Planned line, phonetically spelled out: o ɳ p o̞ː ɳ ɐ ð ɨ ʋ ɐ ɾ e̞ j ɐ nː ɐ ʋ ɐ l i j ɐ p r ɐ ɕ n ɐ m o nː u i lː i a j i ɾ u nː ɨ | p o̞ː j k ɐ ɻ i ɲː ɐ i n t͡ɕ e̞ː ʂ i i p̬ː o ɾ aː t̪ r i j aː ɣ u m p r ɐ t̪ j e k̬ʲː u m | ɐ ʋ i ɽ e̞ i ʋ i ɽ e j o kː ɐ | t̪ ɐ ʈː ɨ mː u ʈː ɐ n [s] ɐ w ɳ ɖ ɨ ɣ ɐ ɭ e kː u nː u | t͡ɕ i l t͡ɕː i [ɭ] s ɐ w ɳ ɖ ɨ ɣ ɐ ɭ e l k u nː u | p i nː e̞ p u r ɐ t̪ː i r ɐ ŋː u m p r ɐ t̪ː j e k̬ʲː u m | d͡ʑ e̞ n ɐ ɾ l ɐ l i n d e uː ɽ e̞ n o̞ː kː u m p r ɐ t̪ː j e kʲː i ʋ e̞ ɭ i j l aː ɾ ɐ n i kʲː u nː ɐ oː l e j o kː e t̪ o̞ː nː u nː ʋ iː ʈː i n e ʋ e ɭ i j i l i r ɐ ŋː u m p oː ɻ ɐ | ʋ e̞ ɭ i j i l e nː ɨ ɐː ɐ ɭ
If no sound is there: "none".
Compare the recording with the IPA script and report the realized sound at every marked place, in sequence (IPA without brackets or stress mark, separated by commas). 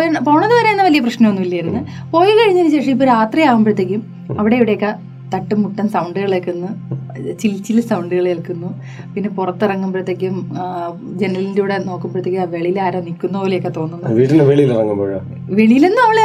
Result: s, l